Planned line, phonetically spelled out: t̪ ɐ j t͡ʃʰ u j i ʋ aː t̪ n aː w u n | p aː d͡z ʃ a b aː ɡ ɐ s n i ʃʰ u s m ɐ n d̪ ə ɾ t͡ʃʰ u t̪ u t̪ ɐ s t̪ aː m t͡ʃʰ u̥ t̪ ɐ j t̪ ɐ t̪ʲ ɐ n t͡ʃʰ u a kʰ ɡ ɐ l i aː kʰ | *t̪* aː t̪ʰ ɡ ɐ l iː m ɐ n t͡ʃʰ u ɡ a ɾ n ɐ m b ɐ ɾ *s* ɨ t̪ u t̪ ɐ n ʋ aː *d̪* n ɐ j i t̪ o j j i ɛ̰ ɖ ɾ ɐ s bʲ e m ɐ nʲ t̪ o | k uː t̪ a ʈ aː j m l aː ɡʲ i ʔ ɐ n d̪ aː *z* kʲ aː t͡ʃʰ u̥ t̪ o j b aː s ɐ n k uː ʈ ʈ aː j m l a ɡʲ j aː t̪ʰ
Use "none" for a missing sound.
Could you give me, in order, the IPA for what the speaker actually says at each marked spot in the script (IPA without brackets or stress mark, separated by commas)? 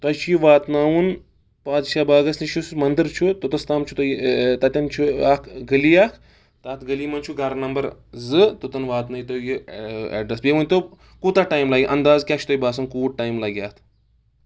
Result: t̪, z, t̪, z